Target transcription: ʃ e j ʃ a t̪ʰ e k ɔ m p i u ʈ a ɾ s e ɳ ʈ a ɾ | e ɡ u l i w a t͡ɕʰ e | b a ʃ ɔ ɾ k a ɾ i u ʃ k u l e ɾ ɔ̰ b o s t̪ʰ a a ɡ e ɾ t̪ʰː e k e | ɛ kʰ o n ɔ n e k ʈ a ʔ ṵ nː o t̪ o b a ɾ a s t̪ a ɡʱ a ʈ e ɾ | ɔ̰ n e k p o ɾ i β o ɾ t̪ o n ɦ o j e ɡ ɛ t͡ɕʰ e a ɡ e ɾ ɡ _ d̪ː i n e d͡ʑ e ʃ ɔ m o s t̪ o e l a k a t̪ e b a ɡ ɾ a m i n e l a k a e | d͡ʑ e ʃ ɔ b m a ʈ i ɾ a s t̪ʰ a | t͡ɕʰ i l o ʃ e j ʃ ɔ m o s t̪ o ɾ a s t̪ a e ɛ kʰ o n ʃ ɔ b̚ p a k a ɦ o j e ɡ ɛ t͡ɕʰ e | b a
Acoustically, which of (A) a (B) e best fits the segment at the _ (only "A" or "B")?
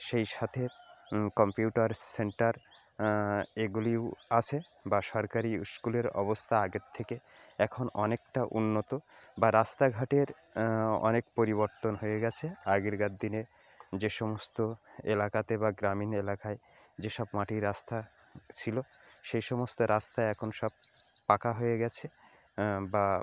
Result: A